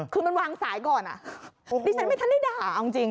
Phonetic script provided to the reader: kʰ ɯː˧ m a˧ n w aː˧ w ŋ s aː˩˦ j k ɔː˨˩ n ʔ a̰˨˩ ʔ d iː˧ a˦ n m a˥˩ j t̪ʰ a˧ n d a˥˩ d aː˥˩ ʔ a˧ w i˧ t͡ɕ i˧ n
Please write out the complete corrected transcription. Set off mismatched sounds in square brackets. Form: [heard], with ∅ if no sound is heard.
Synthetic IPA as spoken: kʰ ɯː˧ m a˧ n w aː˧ [∅] ŋ s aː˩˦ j k ɔː˨˩ n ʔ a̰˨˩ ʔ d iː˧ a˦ n m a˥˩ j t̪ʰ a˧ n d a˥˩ d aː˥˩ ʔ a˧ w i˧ t͡ɕ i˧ [ŋ]